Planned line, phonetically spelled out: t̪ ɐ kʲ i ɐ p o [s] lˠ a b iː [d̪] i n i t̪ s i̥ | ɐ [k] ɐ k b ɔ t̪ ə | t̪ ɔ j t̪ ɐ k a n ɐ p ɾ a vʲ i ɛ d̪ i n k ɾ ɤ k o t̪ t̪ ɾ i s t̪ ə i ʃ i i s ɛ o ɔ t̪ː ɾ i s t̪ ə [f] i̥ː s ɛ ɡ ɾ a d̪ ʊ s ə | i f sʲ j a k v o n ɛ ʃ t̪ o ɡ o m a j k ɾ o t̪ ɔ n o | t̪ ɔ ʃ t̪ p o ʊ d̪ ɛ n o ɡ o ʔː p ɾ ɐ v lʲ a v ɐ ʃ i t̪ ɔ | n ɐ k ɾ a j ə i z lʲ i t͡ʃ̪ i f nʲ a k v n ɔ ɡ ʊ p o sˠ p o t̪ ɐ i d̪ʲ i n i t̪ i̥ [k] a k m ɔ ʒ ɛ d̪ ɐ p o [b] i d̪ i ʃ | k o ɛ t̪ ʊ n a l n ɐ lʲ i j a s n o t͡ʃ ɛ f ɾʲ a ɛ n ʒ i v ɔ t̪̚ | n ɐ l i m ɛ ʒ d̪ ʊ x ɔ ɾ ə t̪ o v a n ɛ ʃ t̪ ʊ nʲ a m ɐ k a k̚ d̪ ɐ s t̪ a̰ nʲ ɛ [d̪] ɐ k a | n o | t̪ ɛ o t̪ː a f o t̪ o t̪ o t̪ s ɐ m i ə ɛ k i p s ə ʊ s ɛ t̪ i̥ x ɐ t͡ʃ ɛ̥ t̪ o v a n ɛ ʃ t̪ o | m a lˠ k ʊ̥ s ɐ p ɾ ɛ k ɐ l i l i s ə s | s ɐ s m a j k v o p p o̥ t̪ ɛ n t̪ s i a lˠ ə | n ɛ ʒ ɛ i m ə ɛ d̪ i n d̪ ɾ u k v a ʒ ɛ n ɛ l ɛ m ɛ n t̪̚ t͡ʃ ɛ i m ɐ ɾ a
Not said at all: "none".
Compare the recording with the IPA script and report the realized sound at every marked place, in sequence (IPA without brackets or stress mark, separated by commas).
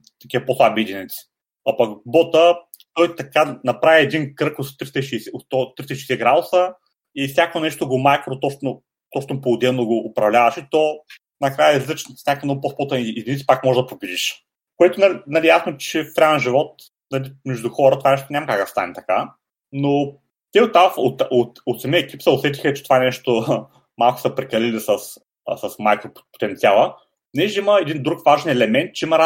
s, d̪, p, ʃ, p, b, t̪